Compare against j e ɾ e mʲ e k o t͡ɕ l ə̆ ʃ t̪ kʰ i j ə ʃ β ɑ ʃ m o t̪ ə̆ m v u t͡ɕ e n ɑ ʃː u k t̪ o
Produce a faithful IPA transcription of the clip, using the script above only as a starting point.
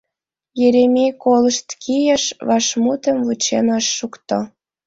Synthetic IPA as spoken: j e ɾ e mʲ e k o l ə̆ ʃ t̪ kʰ i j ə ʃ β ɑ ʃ m u t̪ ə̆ m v u t͡ɕ e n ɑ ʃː u k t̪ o